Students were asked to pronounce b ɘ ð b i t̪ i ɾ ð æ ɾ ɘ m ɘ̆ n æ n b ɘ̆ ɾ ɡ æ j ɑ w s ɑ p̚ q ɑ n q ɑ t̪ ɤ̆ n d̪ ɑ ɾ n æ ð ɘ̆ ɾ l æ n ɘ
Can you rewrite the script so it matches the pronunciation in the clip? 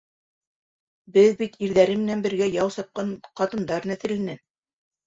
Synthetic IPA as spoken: b ɘ ð b i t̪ i ɾ ð æ ɾ ɘ m ɘ̆ n æ n b ɘ̆ ɾ ɡ æ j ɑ w s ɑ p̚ q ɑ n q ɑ t̪ ɤ̆ n d̪ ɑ ɾ n æ θ ɘ̆ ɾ l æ n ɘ